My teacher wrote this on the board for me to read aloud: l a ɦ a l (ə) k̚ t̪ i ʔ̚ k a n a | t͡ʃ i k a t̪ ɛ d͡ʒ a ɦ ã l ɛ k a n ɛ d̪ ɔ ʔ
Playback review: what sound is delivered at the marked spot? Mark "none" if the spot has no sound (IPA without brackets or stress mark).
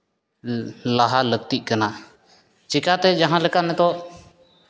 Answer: ə